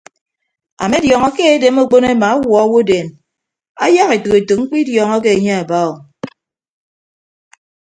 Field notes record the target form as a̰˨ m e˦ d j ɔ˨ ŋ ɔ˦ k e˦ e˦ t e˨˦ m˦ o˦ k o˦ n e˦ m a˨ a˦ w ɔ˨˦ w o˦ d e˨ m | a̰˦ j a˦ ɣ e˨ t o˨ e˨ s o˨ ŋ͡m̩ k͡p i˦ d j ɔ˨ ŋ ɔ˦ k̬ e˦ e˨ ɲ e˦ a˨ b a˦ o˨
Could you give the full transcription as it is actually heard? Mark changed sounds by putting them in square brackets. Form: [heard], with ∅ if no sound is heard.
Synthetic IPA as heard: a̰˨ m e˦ d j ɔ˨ ŋ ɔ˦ k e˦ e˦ [d] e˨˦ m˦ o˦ [k͡p] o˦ n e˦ m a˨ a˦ w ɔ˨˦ w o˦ d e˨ [n] | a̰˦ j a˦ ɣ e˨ t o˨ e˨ [t] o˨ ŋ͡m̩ k͡p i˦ d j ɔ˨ ŋ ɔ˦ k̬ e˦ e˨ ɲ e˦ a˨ b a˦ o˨